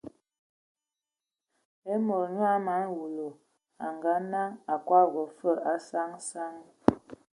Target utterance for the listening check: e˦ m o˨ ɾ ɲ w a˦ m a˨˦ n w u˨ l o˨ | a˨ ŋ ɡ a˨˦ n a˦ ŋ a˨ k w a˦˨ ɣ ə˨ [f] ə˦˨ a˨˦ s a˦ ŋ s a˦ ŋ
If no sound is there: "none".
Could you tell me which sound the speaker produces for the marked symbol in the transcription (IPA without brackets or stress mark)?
f